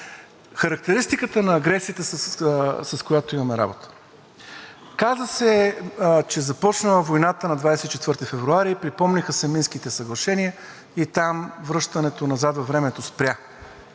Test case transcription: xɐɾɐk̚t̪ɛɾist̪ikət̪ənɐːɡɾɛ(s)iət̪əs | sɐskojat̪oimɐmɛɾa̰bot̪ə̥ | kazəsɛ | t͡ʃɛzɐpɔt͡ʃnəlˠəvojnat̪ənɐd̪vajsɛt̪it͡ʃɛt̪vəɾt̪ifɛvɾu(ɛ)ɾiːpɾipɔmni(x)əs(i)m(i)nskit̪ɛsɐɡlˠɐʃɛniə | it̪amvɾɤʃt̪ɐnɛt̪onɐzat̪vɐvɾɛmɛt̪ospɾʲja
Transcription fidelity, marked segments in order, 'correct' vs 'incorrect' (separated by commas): correct, incorrect, correct, incorrect, correct